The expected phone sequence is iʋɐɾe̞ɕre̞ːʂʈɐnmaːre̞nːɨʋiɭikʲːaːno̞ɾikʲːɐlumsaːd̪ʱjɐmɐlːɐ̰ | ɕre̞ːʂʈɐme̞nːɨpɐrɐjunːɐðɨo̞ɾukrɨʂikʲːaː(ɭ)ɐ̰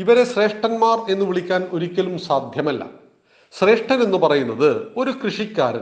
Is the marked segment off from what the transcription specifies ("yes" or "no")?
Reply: yes